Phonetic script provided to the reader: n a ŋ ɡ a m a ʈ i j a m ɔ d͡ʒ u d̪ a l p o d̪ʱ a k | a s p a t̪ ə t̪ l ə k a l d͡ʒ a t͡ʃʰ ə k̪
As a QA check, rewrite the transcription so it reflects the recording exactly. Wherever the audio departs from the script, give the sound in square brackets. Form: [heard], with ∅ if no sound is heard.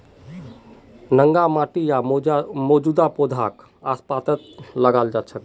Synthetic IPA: n [ə] ŋ ɡ a m a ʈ i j a m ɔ d͡ʒ u d̪ a [∅] p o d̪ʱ a k | a s p a t̪ ə t̪ l ə [ɡ] a l d͡ʒ a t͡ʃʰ ə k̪